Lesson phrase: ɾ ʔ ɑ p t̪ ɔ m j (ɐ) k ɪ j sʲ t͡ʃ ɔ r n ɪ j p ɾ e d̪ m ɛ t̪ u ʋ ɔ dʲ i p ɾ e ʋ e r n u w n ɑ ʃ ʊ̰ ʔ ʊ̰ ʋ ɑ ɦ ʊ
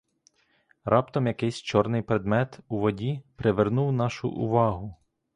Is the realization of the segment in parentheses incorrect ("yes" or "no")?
no